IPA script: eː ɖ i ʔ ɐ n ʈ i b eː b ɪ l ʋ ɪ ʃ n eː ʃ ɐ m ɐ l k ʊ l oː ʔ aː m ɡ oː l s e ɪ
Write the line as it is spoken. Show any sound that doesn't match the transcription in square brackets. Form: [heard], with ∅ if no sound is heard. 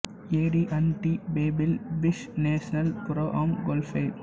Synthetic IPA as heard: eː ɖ i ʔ ɐ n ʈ i b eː b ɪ l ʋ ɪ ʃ n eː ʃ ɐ [n] ɐ l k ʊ [ɾ] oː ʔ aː m ɡ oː l [f] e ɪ